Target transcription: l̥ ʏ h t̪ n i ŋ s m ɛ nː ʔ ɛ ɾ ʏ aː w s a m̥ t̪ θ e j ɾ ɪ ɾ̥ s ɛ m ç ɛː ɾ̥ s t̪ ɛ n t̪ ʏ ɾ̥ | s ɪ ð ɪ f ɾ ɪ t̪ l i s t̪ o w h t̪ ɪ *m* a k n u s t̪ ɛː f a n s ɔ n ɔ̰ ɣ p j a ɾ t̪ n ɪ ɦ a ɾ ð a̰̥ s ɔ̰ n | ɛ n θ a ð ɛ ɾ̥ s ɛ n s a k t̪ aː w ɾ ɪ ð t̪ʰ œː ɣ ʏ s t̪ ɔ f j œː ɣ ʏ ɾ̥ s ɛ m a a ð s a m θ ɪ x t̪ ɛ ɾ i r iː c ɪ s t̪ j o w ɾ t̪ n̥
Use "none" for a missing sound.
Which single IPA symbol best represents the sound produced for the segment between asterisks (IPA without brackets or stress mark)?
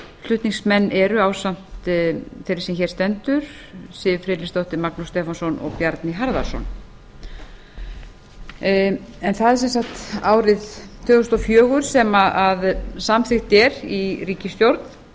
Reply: m